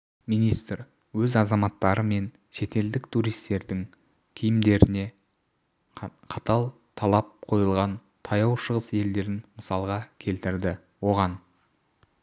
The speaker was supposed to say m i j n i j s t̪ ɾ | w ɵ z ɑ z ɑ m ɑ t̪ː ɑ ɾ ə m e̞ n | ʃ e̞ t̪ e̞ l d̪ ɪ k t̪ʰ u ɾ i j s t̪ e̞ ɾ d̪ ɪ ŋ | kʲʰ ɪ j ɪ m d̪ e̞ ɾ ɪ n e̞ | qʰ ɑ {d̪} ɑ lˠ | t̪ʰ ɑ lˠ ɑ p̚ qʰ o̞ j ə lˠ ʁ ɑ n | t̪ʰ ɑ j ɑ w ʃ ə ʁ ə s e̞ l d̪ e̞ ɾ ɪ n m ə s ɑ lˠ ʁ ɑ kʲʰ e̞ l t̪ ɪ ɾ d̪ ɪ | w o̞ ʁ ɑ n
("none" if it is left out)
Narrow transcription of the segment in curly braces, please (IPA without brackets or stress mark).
t̪